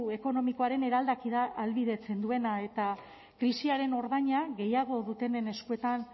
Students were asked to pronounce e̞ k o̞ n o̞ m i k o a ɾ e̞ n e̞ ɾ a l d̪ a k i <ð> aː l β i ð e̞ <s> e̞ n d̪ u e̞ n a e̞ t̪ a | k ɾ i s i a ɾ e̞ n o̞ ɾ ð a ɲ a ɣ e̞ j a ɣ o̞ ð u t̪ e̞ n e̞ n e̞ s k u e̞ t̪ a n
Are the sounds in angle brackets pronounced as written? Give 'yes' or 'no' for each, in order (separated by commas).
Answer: yes, no